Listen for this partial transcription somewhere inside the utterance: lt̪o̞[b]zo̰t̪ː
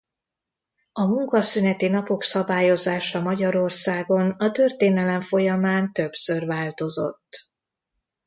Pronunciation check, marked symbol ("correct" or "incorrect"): incorrect